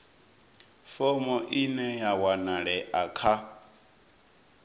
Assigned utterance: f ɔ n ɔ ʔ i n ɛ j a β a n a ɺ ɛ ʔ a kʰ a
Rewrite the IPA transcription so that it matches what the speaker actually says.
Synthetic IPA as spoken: f ɔ m ɔ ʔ i n ɛ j a w a n a ɺ ɛ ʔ a kʰ a